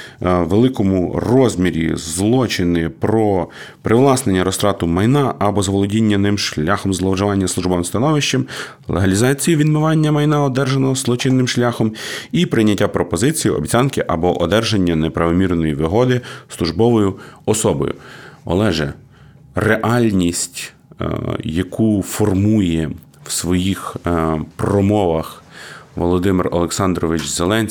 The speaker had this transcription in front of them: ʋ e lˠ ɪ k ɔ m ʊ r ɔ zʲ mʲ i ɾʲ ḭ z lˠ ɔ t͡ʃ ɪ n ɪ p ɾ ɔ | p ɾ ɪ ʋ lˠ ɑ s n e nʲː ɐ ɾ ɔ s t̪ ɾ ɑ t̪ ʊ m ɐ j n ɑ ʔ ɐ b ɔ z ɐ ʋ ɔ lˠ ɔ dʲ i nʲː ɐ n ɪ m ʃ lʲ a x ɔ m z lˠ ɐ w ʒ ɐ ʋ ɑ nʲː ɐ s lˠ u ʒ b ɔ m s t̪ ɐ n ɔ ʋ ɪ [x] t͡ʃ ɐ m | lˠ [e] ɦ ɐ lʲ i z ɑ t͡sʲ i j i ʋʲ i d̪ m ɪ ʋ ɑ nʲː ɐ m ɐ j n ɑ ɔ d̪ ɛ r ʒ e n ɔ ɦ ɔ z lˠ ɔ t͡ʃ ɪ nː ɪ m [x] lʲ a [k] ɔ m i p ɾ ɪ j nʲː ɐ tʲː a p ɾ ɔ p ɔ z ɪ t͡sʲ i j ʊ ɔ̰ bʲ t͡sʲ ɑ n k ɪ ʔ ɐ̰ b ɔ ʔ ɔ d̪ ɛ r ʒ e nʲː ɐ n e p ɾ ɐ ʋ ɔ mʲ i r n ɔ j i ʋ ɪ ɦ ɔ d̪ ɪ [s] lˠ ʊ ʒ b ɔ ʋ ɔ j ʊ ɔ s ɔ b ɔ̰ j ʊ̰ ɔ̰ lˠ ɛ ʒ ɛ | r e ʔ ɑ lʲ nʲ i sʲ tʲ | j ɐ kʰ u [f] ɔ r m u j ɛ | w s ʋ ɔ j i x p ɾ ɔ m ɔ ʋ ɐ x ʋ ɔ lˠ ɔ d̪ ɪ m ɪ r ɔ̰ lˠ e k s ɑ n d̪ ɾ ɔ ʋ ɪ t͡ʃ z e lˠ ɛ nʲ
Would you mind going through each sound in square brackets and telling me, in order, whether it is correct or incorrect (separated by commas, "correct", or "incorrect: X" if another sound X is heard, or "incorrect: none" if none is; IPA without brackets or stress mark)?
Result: incorrect: ʃ, correct, incorrect: ʃ, incorrect: x, correct, correct